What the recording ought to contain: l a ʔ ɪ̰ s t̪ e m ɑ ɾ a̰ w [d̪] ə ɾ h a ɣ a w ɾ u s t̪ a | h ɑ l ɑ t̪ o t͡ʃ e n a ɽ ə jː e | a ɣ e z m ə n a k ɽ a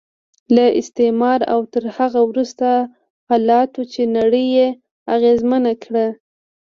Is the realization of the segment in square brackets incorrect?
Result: yes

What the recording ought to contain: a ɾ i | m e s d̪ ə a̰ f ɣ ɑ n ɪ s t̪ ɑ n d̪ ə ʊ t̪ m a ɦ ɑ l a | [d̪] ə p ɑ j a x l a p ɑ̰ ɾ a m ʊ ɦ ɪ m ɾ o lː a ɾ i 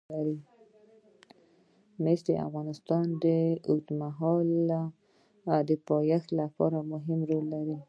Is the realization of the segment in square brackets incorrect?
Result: no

